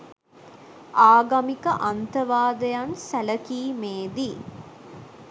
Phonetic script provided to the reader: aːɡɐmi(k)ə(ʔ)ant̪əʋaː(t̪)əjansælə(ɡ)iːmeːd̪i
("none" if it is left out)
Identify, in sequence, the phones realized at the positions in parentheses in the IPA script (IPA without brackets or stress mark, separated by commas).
k, ʔ, d̪, k